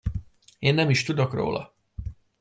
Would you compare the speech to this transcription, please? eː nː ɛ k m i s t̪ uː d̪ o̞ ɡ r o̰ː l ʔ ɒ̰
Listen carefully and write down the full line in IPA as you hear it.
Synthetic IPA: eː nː ɛ m i ʃ t̪ u d̪ o̞ k r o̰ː l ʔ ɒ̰